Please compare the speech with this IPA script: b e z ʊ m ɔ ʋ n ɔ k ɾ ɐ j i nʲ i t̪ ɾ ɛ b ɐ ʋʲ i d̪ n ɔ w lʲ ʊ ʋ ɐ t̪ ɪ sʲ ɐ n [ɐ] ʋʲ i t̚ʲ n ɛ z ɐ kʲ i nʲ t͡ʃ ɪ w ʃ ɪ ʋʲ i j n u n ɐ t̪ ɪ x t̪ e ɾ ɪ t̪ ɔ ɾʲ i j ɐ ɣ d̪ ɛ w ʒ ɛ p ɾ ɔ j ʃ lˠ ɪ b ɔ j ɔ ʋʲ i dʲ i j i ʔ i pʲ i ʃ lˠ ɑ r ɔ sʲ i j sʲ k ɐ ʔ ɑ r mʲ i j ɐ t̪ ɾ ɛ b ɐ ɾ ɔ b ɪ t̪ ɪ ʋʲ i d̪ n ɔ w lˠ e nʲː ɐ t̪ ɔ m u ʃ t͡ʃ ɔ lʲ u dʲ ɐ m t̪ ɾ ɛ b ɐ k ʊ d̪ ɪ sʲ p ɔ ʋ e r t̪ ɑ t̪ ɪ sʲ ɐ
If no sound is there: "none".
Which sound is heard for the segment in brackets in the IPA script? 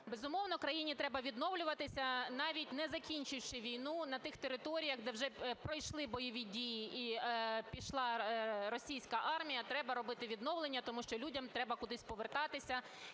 ɑ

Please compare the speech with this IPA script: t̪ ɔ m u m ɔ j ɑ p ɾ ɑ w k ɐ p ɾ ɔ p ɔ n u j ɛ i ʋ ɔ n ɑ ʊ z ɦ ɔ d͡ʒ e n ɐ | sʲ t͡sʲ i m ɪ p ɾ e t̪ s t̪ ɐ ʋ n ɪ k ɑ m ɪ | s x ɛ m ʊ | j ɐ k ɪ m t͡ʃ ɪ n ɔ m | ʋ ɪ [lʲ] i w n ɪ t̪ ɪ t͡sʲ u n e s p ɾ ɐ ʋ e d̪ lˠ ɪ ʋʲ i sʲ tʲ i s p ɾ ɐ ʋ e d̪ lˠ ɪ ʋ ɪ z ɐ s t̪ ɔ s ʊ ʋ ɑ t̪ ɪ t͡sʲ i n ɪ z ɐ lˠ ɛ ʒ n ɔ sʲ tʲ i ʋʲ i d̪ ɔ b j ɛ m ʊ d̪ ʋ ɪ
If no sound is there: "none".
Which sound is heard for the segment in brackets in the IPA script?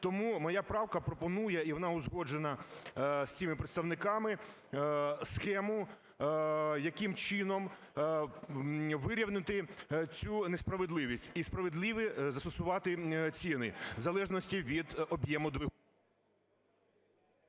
ɾʲ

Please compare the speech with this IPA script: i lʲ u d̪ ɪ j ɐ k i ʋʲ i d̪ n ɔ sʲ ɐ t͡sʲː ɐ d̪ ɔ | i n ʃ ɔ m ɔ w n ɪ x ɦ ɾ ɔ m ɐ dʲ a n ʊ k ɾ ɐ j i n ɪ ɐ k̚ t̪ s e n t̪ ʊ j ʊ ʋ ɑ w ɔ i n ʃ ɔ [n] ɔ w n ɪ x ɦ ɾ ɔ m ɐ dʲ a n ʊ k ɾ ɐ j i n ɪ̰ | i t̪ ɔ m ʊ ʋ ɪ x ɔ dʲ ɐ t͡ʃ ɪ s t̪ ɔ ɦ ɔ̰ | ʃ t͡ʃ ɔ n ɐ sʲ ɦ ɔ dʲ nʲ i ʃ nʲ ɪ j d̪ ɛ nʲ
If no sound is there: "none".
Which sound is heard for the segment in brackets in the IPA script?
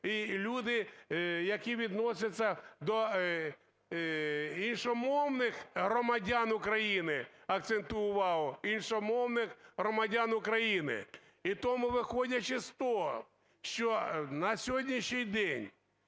m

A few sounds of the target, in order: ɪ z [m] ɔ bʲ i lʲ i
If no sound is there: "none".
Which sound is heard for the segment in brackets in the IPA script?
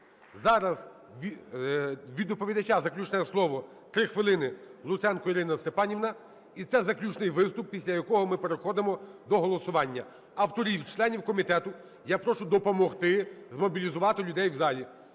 m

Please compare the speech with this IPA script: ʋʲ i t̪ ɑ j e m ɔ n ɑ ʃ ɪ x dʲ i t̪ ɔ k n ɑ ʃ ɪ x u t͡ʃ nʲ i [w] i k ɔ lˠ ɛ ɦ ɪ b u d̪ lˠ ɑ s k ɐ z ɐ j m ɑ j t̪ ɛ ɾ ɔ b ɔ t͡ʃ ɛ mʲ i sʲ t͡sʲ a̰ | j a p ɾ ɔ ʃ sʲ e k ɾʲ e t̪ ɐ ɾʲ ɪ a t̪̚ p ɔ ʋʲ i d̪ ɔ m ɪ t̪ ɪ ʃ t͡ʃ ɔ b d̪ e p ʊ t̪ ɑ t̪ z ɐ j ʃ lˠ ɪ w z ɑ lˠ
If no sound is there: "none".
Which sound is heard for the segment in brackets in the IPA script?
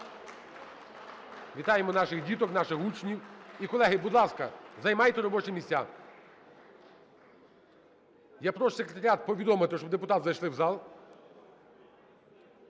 w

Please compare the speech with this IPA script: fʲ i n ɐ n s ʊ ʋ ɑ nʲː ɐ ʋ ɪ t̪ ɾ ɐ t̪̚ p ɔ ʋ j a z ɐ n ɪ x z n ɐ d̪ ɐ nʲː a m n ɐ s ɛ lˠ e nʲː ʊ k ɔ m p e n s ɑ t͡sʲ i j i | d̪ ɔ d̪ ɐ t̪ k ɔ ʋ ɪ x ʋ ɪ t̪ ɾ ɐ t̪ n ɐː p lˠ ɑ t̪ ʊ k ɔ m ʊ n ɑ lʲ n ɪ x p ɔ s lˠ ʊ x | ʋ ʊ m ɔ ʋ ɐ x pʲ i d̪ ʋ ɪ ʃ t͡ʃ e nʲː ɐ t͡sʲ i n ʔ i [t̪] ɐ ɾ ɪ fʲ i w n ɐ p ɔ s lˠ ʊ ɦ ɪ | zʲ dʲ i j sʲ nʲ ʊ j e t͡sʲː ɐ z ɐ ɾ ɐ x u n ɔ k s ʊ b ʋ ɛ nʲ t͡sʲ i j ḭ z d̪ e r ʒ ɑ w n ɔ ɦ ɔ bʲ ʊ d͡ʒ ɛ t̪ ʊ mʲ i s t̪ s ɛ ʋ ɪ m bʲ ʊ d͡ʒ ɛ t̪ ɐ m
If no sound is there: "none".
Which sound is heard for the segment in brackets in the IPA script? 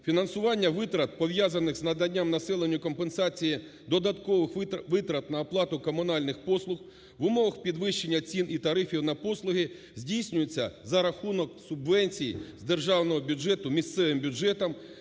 t̪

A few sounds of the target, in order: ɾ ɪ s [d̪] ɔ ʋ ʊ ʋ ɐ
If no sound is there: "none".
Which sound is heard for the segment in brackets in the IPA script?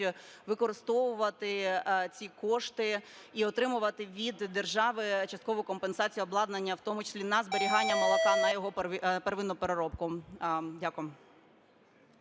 t̪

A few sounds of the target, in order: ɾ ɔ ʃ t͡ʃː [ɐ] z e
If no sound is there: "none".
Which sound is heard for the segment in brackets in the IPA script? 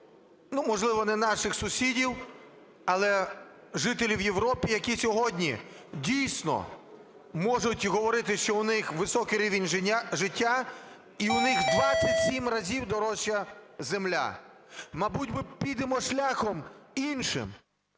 ɐ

